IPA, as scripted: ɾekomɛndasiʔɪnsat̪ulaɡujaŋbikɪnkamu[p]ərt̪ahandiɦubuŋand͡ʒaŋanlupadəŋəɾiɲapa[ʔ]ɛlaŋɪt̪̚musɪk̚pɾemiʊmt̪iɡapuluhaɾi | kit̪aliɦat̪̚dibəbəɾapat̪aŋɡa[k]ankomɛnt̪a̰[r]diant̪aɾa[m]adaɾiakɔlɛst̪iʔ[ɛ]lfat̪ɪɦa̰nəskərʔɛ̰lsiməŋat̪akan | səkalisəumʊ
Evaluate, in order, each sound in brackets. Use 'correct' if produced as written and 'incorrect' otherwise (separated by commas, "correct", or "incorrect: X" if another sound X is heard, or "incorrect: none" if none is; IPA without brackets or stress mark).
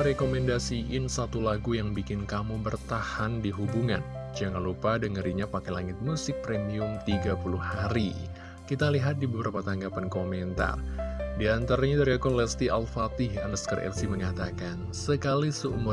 incorrect: b, incorrect: k, incorrect: p, correct, incorrect: ɲ, incorrect: a